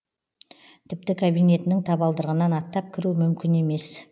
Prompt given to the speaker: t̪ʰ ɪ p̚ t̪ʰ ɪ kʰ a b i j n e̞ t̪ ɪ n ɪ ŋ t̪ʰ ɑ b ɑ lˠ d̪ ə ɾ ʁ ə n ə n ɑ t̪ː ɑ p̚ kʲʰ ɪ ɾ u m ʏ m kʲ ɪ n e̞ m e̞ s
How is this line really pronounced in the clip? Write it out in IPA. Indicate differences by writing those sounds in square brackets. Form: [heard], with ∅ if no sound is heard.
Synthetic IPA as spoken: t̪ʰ ɪ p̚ [t̪] ɪ kʰ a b i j n e̞ t̪ ɪ n ɪ ŋ t̪ʰ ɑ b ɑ lˠ d̪ ə ɾ ʁ ə n [ɑ] n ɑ t̪ː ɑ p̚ kʲʰ ɪ ɾ u m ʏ m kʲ ɪ n e̞ m e̞ s